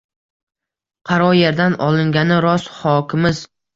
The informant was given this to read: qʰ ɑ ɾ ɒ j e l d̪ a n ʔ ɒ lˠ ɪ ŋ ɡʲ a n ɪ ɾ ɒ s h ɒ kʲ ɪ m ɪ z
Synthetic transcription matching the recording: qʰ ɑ ɾ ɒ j e ɾ d̪ a n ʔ ɒ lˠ ɪ ŋ ɡʲ a n ɪ ɾ ɒ s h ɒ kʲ ɪ m ɪ z